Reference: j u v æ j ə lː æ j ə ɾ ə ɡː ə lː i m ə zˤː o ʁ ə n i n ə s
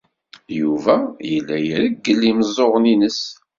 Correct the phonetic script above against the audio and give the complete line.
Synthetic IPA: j u v æ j ə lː æ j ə ɾ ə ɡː ə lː i m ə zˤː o ʁ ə n i n ə s

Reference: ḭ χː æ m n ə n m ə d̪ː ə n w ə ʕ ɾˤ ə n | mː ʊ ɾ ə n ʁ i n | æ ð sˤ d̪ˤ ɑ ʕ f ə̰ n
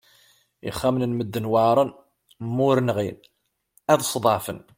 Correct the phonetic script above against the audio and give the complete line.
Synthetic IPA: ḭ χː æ m n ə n m ə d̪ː ə n w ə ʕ ɾˤ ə n | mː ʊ ɾ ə n ʁ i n | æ ð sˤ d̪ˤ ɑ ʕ f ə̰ n

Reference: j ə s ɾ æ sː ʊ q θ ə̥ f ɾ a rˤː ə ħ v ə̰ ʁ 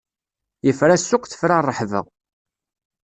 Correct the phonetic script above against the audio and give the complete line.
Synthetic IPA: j ə f ɾ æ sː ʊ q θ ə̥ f ɾ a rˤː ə ħ v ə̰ ʁ

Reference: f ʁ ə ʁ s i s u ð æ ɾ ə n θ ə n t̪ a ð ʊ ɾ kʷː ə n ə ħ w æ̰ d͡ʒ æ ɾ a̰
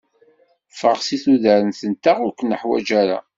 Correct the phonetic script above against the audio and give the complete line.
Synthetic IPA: f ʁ ə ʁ s i θ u ð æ ɾ ə n θ ə n t̪ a ʁ ʊ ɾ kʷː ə n ə ħ w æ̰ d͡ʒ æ ɾ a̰

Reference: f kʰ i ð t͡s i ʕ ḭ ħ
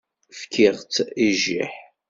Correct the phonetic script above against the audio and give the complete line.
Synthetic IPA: f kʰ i ʁ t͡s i ʒ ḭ ħ

